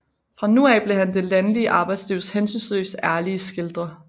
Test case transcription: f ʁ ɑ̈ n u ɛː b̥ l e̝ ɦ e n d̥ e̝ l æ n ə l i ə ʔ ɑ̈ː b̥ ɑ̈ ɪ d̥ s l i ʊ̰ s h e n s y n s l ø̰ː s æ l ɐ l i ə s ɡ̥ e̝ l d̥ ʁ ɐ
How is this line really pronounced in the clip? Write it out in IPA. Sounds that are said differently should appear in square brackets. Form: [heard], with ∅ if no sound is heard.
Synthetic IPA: f ʁ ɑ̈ n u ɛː b̥ l e̝ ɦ [æ] n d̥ e̝ l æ n ə l i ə ʔ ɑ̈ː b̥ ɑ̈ ɪ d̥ s l i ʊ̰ s h e n s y n s l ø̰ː s æ [∅] ɐ l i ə s ɡ̥ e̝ l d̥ ʁ ɐ